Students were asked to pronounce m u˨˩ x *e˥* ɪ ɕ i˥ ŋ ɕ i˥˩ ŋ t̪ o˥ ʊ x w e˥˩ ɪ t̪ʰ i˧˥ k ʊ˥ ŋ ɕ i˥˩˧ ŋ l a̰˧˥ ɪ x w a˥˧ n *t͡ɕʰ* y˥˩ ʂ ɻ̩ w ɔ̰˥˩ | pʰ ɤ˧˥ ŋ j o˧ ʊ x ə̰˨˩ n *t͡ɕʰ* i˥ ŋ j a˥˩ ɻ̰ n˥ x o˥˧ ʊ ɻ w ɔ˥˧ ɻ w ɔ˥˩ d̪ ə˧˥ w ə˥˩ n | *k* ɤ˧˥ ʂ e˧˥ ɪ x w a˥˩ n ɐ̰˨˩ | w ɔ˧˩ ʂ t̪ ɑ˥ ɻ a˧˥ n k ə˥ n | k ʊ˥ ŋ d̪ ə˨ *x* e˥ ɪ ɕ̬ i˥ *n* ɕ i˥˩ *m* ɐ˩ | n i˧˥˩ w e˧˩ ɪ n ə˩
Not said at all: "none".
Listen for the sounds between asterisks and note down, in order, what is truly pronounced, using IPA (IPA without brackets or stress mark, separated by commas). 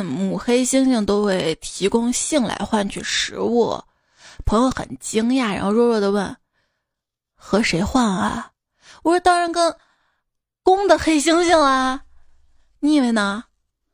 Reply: e˥, t͡ɕʰ, t͡ɕ, x, x, ŋ, ŋ